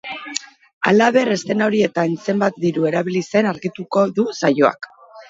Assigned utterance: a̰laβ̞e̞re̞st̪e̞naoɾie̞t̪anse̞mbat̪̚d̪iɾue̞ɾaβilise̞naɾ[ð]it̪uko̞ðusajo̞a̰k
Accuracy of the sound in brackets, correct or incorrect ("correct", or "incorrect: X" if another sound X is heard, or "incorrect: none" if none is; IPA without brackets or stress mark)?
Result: incorrect: ɣ